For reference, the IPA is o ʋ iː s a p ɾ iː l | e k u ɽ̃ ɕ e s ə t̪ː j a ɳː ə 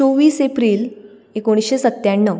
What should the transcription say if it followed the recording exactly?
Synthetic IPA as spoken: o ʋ iː s e p ɾ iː l | e k o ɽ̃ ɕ e s ə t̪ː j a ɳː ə